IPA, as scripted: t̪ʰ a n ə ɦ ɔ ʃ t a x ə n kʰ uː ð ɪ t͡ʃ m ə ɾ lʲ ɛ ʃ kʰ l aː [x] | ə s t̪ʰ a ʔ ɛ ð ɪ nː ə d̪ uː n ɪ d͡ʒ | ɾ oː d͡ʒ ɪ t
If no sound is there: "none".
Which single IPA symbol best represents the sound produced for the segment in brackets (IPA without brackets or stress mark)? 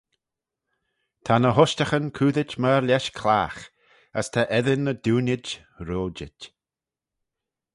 x